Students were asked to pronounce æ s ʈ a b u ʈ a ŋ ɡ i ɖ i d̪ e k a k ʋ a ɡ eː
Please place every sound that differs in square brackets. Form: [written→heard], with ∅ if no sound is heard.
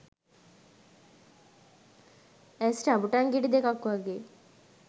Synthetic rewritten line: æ s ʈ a b u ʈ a ŋ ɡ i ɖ i d̪ e k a k ʋ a ɡ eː